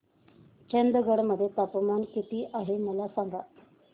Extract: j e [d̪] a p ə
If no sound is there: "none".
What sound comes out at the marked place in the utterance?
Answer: t̪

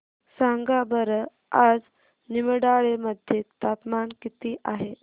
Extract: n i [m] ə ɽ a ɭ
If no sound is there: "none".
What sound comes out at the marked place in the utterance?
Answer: m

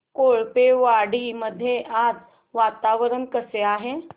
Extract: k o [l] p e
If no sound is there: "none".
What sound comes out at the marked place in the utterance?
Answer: ɭ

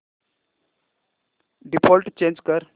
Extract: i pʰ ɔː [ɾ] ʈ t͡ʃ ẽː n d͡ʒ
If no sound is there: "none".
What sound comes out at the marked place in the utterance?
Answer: l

